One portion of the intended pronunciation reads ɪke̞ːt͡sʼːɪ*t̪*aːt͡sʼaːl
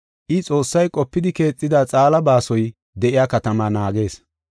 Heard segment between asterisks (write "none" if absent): d̪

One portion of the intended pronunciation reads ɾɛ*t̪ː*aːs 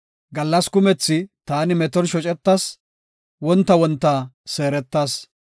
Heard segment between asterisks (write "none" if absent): t̪ː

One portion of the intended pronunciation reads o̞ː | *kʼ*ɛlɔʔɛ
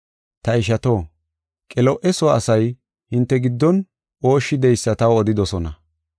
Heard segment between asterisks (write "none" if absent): kʼ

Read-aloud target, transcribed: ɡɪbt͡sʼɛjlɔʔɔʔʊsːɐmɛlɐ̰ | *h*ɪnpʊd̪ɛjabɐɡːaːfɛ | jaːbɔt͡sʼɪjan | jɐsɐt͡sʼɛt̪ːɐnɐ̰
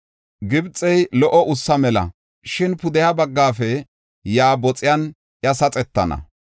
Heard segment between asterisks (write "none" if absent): ʃ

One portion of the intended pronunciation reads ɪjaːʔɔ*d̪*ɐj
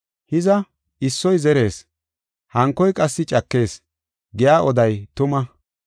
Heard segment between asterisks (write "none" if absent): d̪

